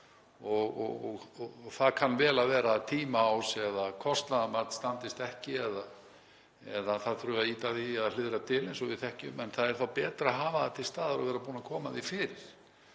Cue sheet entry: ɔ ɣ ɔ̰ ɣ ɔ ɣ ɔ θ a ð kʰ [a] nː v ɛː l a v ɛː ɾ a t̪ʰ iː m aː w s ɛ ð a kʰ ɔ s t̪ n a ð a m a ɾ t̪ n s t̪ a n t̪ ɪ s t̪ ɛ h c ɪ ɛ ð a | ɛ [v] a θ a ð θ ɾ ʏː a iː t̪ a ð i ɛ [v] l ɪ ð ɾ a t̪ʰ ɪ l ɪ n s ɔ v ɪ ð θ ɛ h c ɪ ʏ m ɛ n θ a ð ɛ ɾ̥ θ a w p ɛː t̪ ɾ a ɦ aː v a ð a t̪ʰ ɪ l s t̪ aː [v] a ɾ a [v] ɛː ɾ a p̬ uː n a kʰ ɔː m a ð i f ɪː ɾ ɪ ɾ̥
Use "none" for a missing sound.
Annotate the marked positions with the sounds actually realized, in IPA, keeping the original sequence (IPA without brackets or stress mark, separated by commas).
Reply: a, ð, ð, ð, v